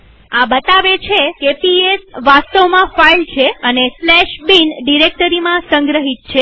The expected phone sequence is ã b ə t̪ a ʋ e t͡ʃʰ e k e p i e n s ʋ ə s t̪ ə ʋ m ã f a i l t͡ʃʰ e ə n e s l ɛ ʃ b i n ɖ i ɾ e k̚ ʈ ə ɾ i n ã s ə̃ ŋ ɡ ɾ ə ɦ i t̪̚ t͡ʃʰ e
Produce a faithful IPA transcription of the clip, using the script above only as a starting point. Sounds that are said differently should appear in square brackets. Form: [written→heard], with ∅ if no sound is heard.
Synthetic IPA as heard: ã b ə t̪ a ʋ e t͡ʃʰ e k e p i e [n→∅] s ʋ [ə→a] s t̪ ə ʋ m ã f a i l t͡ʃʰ e ə n e s l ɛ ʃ b i n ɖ i ɾ e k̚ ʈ ə ɾ i [n→m] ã s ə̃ ŋ ɡ ɾ ə ɦ i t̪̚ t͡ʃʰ e